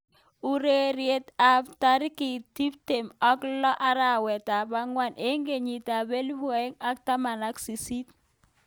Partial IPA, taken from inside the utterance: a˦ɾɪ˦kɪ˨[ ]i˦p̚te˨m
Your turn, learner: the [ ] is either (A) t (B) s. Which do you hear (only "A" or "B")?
A